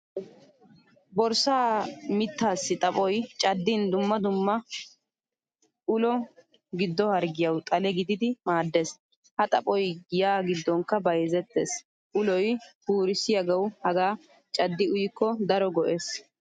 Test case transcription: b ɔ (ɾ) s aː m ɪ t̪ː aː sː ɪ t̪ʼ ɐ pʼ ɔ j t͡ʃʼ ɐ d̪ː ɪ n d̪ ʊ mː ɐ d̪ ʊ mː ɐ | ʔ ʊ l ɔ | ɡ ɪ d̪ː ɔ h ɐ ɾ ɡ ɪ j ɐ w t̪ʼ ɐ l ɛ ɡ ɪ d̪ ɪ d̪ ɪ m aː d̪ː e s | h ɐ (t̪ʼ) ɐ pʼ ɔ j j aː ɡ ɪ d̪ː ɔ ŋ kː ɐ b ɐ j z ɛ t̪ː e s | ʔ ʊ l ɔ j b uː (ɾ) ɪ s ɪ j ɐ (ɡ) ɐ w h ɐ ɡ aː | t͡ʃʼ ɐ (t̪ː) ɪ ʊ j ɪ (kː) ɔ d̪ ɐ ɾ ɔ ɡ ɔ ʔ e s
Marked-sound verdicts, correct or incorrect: correct, correct, correct, correct, incorrect: d̪ː, correct

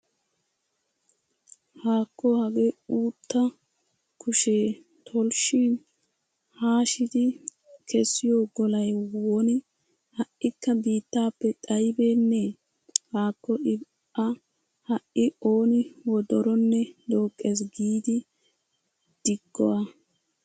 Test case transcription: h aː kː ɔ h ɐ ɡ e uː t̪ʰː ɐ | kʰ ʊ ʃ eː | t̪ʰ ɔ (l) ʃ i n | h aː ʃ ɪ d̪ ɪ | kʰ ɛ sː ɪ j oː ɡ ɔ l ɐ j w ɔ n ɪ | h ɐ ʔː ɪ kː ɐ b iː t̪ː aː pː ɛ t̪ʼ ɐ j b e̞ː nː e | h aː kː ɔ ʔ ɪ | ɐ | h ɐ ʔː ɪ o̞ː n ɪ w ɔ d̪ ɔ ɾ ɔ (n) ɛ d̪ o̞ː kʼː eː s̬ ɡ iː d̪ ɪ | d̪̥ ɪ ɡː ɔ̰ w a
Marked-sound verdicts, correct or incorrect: correct, incorrect: nː

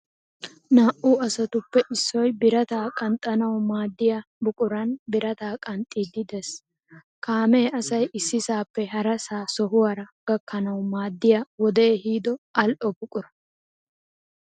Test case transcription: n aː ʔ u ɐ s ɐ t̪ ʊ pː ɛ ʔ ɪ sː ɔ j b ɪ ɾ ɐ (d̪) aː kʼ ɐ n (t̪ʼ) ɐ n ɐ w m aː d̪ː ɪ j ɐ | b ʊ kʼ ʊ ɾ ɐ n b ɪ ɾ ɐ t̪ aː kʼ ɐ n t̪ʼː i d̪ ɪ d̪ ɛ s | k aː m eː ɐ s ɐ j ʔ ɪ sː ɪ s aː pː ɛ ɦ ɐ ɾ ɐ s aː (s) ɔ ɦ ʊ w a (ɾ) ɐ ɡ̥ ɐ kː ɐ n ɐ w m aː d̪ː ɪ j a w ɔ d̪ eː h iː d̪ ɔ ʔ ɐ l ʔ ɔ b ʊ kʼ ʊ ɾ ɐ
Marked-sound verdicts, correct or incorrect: incorrect: t̪, correct, correct, correct

